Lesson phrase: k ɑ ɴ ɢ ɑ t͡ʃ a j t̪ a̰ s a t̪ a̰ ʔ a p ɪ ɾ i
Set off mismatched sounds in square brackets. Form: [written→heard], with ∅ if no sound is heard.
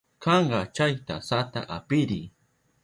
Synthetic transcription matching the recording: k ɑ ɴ ɢ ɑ t͡ʃ a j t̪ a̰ s a t̪ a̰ ʔ a p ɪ ɾ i